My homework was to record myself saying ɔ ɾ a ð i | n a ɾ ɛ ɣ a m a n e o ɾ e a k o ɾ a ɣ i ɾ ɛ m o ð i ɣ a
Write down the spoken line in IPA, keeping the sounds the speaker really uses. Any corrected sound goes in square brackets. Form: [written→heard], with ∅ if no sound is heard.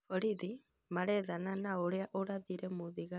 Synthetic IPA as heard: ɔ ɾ [a→i] ð i | [n→m] a ɾ ɛ [ɣ→ð] a [m→n] a n [e→a] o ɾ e a [k→ʔ] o ɾ a [ɣ→ð] i ɾ ɛ m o ð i ɣ a